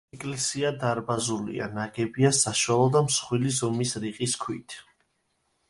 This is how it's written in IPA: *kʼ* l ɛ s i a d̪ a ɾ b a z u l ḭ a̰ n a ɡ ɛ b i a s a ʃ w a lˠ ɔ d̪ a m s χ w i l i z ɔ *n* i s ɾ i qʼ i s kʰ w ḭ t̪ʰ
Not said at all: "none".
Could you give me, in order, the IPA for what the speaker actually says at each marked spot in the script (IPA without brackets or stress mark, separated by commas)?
kʼ, m